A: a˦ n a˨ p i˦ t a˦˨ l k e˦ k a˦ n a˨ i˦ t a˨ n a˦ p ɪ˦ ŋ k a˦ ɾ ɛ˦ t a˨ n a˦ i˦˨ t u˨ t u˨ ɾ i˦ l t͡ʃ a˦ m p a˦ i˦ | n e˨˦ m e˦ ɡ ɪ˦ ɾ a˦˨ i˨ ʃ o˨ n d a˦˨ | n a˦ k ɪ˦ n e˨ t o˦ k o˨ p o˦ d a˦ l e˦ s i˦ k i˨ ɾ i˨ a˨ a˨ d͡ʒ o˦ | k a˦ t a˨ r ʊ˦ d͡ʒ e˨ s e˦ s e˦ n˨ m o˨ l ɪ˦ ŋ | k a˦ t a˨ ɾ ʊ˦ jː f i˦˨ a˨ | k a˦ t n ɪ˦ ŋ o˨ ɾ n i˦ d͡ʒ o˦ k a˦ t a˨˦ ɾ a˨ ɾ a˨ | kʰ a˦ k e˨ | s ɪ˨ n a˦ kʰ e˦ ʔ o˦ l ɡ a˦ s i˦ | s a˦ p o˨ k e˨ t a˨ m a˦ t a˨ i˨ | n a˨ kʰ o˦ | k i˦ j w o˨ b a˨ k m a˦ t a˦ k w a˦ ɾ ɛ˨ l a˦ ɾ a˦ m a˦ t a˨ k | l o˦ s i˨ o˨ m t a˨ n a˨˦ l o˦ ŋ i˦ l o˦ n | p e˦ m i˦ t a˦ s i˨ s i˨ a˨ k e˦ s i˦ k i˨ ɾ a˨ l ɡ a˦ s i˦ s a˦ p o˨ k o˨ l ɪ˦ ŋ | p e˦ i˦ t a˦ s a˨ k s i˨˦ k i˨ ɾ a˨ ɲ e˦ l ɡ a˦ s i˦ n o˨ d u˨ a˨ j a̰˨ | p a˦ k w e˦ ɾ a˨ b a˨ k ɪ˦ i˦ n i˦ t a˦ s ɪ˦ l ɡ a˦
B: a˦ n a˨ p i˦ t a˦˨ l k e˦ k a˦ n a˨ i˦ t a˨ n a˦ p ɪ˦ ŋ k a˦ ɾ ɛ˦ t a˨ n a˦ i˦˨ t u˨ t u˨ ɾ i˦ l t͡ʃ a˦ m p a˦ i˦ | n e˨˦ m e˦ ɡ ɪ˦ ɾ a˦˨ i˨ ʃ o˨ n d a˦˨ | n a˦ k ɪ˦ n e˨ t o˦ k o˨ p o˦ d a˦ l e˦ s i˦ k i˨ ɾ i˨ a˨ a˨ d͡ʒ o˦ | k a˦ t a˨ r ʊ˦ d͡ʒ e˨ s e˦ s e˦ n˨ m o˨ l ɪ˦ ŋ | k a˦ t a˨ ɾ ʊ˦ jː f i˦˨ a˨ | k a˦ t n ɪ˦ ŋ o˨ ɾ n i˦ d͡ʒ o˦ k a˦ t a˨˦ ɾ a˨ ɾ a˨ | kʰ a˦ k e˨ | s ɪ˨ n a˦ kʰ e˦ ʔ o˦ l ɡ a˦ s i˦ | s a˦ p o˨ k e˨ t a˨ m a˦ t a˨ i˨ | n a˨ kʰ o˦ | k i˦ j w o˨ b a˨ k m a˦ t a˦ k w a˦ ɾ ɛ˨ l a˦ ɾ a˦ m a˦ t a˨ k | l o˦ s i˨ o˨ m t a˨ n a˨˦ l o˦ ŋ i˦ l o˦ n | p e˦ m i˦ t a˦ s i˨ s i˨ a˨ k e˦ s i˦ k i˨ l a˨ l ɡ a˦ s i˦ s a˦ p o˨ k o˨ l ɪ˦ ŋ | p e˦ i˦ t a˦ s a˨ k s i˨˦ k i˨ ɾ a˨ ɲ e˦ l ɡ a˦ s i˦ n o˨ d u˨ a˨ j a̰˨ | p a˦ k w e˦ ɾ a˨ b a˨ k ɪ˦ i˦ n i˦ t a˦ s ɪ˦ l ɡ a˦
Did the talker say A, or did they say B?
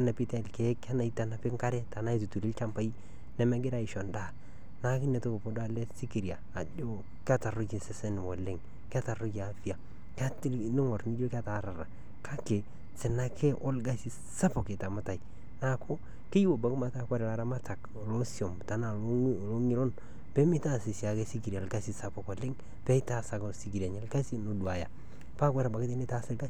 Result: A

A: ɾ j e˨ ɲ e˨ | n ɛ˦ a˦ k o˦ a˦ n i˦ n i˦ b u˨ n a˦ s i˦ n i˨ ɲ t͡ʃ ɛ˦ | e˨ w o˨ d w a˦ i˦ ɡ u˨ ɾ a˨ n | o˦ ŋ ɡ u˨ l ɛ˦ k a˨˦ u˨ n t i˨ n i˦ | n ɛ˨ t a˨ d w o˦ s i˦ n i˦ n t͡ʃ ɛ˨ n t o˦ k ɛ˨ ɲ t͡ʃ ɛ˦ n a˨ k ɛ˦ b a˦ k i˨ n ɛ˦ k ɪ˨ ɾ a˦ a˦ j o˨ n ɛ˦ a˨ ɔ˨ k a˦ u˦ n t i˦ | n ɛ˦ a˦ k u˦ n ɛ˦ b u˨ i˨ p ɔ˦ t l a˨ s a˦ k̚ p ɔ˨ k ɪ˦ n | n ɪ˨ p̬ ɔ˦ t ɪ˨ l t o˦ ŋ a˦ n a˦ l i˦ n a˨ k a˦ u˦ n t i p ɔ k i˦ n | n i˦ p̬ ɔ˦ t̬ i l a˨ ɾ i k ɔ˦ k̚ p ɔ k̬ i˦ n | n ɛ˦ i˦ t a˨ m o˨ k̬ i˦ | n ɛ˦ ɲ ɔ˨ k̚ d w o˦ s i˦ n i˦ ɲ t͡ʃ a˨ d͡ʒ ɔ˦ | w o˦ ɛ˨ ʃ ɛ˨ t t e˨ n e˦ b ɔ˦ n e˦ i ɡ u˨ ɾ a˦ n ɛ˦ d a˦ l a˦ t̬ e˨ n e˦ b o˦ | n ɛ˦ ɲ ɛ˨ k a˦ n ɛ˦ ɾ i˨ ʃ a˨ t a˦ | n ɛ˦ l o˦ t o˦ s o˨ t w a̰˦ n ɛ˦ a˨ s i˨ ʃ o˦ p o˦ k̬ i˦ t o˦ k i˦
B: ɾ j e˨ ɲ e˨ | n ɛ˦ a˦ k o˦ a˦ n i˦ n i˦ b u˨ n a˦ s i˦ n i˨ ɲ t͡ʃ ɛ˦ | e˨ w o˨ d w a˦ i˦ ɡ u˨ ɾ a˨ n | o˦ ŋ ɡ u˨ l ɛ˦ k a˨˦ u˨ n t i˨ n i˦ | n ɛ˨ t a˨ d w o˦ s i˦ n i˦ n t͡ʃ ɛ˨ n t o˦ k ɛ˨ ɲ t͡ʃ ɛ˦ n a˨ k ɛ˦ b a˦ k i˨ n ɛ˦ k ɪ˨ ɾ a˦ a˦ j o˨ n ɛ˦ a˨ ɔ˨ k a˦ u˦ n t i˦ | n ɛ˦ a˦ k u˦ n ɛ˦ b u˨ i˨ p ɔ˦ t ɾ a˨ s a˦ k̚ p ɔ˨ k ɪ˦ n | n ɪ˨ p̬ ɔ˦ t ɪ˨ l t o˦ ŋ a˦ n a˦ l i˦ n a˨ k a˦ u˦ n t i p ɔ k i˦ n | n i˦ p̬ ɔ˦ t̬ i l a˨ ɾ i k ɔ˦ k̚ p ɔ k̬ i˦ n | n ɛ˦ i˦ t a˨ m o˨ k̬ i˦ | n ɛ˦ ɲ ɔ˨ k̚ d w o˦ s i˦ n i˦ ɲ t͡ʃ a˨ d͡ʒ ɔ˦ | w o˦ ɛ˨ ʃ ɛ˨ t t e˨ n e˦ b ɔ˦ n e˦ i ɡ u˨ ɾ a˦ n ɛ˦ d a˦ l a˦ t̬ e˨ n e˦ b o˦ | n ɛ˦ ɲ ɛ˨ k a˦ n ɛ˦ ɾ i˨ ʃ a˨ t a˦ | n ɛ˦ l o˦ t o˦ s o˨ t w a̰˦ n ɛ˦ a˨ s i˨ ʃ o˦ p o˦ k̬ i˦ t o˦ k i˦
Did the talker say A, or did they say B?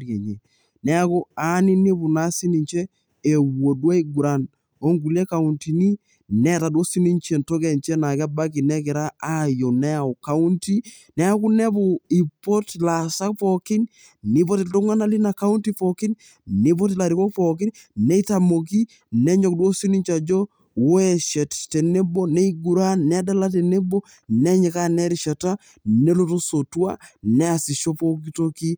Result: A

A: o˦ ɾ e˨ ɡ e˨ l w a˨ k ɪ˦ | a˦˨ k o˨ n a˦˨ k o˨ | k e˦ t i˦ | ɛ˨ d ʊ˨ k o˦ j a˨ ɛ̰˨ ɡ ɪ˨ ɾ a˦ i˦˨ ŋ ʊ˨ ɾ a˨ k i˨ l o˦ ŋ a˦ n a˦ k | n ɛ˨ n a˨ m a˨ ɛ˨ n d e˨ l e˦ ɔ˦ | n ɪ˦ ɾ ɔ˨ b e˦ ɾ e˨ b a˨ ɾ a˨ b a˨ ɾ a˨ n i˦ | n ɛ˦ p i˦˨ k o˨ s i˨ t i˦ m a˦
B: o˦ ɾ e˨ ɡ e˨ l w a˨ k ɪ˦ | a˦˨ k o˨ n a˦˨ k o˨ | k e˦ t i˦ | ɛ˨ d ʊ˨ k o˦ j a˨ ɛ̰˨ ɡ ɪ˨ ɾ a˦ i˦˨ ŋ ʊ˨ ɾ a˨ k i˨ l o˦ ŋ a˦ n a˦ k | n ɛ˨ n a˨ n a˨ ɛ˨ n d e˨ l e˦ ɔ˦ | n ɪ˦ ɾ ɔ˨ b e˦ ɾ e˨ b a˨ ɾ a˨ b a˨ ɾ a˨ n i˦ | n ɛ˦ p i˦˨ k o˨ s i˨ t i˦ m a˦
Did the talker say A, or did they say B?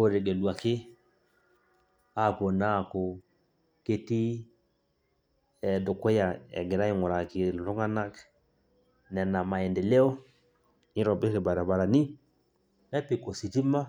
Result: A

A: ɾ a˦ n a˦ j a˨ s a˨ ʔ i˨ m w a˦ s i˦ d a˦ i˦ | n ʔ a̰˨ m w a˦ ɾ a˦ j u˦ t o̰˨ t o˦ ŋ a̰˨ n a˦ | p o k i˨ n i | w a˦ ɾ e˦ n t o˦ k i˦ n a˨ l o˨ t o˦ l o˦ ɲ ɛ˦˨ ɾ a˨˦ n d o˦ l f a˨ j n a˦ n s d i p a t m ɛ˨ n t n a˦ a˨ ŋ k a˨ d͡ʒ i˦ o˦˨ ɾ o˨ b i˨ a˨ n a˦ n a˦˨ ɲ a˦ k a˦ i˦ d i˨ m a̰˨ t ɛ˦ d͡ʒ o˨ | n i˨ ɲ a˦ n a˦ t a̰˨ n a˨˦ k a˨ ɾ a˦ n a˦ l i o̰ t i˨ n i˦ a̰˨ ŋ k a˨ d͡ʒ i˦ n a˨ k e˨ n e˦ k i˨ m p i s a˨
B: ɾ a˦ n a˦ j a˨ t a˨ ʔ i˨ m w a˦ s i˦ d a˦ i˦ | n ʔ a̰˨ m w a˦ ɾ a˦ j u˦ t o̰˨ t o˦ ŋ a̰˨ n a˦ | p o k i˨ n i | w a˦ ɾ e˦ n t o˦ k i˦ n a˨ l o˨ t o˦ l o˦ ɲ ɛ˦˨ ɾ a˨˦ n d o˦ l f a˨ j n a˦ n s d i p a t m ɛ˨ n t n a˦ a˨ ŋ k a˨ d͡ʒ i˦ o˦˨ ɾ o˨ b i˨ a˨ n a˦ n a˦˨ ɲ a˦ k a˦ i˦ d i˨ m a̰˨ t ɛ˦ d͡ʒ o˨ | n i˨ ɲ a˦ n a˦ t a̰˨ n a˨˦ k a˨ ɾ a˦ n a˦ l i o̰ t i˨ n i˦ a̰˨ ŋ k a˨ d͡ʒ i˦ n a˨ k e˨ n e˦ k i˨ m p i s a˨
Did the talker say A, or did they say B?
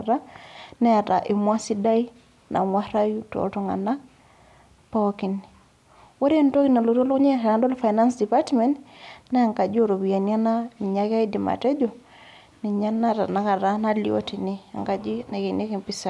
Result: B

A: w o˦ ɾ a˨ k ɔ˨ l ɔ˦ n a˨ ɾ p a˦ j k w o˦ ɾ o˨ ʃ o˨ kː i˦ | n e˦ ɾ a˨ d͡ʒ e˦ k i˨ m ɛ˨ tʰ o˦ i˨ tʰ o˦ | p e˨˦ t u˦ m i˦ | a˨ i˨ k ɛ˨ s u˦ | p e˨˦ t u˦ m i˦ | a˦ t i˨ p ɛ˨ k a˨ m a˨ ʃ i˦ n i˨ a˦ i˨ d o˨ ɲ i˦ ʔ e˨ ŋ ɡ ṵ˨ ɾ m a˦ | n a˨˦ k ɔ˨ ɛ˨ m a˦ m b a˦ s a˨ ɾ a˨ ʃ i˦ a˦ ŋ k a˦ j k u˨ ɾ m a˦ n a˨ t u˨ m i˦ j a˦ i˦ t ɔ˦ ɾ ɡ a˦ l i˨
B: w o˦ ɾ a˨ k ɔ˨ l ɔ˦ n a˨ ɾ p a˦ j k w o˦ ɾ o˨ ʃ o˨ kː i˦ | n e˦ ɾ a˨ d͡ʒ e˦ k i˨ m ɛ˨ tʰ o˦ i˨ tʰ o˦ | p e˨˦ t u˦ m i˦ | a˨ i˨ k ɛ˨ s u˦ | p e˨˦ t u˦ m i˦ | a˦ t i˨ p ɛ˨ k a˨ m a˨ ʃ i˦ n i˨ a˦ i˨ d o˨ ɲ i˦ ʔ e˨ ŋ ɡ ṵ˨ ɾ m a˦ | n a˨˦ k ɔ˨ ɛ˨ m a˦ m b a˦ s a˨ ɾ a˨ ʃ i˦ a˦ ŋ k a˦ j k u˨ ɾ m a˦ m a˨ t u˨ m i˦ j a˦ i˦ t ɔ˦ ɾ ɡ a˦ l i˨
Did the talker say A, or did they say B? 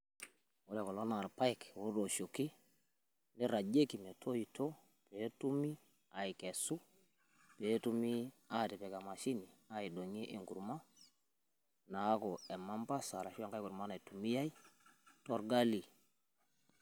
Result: A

